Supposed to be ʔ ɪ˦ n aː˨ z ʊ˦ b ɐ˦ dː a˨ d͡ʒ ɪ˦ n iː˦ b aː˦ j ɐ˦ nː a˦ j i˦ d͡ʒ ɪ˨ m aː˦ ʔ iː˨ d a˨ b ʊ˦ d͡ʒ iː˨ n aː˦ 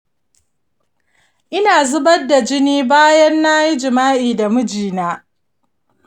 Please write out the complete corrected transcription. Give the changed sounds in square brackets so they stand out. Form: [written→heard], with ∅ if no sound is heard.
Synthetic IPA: ʔ ɪ˦ n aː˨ z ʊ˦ b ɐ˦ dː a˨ d͡ʒ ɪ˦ n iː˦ b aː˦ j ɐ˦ nː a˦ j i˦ d͡ʒ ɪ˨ m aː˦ ʔ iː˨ d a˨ [b→m] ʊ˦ d͡ʒ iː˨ n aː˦

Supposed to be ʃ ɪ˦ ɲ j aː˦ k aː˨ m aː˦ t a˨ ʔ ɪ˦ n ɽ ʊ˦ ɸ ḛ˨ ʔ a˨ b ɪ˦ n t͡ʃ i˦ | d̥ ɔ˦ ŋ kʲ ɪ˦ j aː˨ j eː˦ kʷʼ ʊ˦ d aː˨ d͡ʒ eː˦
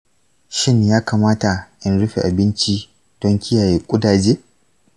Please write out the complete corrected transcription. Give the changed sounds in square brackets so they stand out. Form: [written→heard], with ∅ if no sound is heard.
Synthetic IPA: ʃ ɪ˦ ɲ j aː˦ k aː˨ m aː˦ t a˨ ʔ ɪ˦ n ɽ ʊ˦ ɸ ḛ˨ ʔ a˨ b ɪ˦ n t͡ʃ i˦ | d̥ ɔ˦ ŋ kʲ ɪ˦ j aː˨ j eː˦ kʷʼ ʊ˦ d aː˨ d͡ʒ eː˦

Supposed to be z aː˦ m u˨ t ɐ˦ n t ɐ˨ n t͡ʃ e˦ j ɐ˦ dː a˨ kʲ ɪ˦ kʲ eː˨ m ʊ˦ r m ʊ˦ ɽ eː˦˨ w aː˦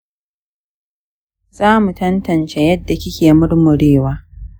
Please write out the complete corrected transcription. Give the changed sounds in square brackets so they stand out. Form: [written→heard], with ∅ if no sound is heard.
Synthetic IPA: z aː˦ m u˨ t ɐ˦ n t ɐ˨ n t͡ʃ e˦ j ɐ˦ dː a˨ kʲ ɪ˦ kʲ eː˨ m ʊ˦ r m [ʊ˦→ʊ˨] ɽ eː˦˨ w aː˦

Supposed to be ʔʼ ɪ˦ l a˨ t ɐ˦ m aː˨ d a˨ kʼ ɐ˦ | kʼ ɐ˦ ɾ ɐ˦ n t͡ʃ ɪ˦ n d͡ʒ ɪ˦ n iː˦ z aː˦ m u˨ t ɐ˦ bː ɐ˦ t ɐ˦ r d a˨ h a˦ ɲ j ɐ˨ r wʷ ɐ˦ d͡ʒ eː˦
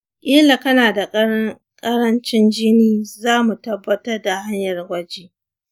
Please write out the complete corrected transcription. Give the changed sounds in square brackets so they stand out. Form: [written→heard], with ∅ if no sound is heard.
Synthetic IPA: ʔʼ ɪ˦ l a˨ [t→k] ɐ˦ [m→n] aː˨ d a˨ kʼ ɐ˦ | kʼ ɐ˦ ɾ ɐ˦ n t͡ʃ ɪ˦ n d͡ʒ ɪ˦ n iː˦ z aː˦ m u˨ t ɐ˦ bː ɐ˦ t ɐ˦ r d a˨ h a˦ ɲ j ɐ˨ r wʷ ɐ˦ d͡ʒ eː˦

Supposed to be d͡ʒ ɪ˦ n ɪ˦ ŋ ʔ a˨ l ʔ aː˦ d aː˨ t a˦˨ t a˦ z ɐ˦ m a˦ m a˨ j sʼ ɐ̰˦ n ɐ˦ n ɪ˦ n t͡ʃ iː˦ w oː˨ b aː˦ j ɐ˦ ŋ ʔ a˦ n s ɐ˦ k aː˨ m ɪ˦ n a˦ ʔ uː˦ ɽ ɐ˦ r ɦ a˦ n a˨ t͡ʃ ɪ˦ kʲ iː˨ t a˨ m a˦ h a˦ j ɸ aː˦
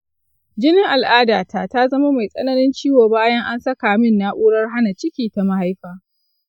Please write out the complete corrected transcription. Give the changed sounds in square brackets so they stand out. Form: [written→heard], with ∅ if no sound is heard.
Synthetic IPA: d͡ʒ ɪ˦ n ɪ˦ ŋ ʔ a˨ l ʔ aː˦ d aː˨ t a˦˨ t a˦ z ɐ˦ m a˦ m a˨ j sʼ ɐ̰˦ n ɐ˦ n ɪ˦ n t͡ʃ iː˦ w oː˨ b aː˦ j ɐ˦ ŋ ʔ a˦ n s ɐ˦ k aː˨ m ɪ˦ [n→nː] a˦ ʔ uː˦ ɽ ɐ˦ r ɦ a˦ n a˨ t͡ʃ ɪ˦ kʲ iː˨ t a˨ m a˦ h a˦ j ɸ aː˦

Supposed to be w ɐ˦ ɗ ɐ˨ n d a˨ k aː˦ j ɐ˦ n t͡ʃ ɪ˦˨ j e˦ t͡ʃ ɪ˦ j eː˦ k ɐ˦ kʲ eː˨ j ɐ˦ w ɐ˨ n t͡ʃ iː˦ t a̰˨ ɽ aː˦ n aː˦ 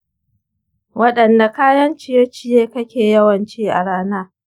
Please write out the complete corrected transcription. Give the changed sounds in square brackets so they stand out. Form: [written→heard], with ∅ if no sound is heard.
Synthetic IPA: w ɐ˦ ɗ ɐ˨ n d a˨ k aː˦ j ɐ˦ n t͡ʃ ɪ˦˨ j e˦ t͡ʃ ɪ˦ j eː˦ k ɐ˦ kʲ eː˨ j ɐ˦ w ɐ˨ n t͡ʃ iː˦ [t→ʔ] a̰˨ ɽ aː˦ n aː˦

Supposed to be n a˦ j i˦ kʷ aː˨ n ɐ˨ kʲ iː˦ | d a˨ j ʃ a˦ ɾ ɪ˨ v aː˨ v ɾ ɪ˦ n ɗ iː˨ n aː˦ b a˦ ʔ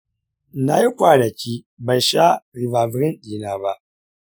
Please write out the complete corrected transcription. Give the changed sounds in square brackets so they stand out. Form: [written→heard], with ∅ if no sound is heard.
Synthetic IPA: n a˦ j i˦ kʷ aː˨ n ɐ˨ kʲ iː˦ | [d→b] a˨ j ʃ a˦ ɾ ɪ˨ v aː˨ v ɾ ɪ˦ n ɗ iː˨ n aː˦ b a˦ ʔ

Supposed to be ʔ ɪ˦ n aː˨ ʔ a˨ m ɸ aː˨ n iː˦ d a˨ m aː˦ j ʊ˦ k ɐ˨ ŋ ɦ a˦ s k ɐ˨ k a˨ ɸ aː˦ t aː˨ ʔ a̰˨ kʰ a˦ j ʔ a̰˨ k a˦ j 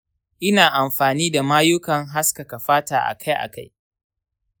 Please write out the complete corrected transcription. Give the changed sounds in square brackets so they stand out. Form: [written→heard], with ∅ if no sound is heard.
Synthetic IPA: ʔ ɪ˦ n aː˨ ʔ a˨ m ɸ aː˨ n iː˦ d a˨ m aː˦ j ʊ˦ k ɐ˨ ŋ ɦ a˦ s k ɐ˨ k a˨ ɸ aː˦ t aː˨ ʔ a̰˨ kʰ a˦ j ʔ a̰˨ k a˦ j

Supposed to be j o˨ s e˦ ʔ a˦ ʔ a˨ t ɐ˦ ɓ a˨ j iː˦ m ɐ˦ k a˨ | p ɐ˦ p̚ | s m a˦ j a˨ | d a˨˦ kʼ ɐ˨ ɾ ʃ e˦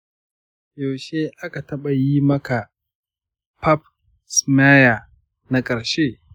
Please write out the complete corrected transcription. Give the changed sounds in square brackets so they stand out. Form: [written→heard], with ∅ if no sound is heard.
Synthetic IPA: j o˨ [s→ʃ] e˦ ʔ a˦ [ʔ→k] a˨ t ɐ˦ ɓ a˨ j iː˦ m ɐ˦ k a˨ | p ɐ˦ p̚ | s m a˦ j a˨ | [d→n] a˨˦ kʼ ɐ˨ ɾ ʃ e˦

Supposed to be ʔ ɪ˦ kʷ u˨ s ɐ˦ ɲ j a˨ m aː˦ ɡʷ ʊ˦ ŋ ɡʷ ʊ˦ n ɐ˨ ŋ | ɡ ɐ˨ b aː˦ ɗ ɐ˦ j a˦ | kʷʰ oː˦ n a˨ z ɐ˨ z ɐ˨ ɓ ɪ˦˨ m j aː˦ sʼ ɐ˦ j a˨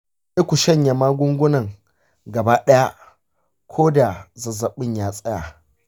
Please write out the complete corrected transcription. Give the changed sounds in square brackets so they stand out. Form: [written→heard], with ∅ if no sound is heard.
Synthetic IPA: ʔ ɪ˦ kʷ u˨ [s→ʃ] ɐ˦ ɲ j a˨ m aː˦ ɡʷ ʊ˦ ŋ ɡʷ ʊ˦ n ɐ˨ ŋ | ɡ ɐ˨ b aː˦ ɗ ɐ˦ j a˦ | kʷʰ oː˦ [n→d] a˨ z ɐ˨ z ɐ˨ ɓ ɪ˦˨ [m→ɲ] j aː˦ sʼ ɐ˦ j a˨

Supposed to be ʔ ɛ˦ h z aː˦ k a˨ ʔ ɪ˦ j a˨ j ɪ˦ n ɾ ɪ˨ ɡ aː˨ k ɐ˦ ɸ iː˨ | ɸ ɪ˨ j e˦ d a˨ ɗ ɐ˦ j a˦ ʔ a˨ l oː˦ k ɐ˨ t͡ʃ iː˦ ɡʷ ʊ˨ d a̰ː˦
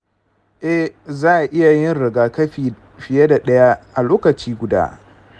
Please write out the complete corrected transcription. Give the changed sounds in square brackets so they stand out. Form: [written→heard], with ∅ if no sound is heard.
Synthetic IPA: ʔ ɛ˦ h z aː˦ [k→ʔ] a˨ ʔ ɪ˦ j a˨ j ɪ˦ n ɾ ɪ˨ ɡ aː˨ k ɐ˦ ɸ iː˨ | ɸ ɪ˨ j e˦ d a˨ ɗ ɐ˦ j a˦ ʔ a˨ l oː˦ k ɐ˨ t͡ʃ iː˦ ɡʷ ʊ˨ d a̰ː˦

